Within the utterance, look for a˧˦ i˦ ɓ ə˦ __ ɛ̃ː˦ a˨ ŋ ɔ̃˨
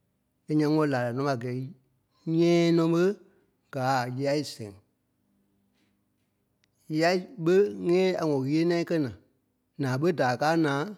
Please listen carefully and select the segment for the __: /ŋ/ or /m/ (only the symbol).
ŋ